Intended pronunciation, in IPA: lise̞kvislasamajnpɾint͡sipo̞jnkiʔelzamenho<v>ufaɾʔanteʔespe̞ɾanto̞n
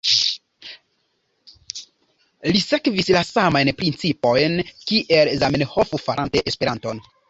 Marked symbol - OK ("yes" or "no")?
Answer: no